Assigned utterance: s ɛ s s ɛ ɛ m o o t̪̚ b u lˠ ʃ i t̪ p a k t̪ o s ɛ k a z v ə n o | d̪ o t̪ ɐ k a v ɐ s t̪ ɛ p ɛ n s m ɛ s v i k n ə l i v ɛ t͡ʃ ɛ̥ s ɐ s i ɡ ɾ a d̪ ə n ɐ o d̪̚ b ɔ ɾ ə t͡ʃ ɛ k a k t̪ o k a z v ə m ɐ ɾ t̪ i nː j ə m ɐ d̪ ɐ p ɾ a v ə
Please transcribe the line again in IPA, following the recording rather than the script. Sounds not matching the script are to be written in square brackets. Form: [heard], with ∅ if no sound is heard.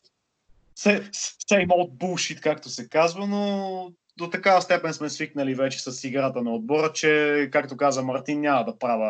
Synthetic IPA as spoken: s ɛ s s ɛ [i] m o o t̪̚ b u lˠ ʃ i t̪ [k] a k t̪ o s ɛ k a z v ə n o | d̪ o t̪ ɐ k a v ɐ s t̪ ɛ p ɛ n s m ɛ s v i k n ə l i v ɛ t͡ʃ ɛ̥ s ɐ s i ɡ ɾ a [t̪] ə n ɐ o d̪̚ b ɔ ɾ ə t͡ʃ ɛ k a k t̪ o k a z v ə m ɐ ɾ t̪ i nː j [a] m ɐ d̪ ɐ p ɾ a v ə